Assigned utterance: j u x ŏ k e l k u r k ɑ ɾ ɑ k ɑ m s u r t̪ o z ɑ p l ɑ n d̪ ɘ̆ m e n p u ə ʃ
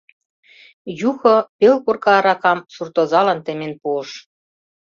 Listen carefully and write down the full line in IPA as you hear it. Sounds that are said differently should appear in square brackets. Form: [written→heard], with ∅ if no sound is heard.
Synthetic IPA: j u x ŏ [k→p] e l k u r k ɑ ɾ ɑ k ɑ m s u r t̪ o z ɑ [p→∅] l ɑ n [d̪→t̪] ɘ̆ m e n p u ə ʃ